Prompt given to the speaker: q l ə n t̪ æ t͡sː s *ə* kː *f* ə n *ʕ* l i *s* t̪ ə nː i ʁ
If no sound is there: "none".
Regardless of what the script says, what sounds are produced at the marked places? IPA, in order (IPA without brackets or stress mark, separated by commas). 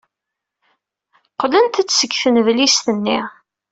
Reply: ə, f, v, s